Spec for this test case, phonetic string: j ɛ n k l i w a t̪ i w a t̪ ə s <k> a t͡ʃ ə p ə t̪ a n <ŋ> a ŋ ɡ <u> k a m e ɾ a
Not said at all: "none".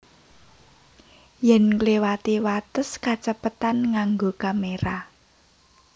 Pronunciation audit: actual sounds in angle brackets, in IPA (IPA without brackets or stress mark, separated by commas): k, ŋ, o